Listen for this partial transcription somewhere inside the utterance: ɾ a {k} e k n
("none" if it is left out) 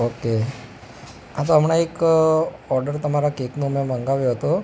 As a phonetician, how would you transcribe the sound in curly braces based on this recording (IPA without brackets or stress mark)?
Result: k